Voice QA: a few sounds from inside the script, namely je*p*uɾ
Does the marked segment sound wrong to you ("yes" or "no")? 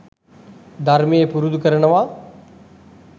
no